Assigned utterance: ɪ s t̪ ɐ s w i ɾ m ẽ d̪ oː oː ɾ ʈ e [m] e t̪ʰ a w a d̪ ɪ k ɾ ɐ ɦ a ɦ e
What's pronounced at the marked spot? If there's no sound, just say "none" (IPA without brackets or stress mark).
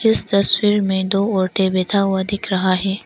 b